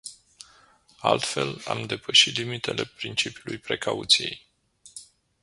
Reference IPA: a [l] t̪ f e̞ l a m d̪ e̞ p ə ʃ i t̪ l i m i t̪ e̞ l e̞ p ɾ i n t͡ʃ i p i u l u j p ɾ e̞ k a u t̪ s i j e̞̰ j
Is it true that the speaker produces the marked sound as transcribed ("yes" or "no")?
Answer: yes